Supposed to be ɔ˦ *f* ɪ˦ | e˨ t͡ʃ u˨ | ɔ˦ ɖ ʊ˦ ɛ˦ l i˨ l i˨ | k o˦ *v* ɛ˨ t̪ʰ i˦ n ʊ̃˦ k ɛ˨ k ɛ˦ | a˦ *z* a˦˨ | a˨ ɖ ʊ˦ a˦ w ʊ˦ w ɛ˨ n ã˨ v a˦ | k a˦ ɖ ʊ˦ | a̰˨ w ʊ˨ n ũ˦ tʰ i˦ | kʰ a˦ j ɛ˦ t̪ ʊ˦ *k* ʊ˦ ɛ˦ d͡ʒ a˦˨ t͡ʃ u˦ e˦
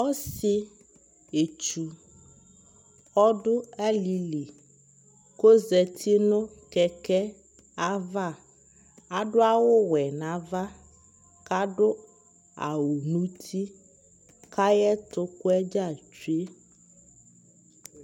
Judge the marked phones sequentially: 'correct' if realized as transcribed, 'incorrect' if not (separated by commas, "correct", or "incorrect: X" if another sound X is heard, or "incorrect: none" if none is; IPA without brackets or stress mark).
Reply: incorrect: s, incorrect: z, incorrect: v, correct